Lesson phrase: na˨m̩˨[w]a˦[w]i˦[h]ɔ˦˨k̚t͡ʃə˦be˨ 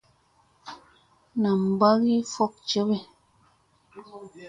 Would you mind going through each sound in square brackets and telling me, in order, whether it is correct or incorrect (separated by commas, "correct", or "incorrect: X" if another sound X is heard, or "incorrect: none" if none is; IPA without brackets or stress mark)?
incorrect: b, incorrect: ɣ, incorrect: f